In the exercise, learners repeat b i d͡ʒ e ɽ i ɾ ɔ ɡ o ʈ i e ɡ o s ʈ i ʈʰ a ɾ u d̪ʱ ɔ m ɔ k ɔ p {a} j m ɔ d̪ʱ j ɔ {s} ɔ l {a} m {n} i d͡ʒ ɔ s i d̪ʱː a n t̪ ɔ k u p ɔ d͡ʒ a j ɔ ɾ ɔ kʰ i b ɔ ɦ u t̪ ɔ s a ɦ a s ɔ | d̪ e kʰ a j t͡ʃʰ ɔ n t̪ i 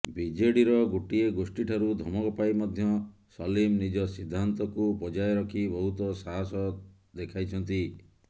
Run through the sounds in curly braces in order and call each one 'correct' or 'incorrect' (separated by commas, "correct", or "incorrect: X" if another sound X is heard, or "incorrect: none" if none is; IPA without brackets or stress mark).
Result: correct, correct, incorrect: i, correct